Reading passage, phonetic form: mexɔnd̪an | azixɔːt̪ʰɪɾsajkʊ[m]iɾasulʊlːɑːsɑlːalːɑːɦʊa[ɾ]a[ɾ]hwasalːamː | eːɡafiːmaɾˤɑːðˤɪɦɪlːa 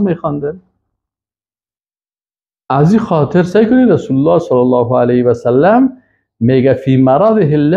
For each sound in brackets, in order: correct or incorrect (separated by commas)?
incorrect, incorrect, incorrect